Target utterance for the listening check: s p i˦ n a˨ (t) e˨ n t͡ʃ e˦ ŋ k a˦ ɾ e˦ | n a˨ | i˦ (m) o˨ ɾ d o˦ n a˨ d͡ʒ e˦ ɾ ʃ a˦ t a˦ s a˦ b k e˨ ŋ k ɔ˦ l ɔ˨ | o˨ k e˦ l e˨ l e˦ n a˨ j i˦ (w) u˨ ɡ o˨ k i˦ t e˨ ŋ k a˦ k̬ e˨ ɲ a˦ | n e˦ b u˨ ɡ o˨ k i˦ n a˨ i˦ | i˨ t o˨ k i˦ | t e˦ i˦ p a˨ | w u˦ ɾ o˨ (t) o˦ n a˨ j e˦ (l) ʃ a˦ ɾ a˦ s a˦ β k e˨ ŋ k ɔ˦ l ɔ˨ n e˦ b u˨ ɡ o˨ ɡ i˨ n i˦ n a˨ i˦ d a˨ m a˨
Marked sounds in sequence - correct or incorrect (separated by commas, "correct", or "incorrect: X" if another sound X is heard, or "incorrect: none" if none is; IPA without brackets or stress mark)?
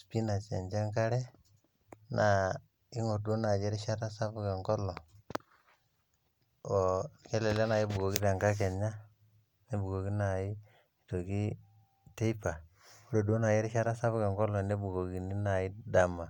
incorrect: t͡ʃ, incorrect: ŋ, incorrect: b, incorrect: d, incorrect: ɾ